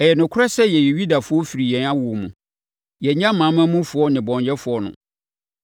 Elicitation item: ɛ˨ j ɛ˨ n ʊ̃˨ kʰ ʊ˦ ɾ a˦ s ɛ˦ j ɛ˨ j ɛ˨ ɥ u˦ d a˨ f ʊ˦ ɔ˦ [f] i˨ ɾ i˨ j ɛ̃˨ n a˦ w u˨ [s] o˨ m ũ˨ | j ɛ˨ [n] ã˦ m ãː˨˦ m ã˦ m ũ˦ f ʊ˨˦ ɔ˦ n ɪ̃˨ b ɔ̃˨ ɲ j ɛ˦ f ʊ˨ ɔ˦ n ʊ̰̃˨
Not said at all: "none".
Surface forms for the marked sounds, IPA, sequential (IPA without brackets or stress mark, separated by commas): f, none, ɲ